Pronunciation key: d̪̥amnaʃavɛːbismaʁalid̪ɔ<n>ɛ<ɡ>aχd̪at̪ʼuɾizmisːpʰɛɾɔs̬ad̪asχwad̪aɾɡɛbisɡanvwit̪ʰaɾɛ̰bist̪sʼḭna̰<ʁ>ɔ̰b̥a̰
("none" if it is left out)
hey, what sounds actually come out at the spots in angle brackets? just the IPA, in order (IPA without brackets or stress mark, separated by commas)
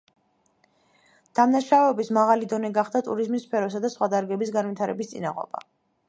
n, ɡ, ʁ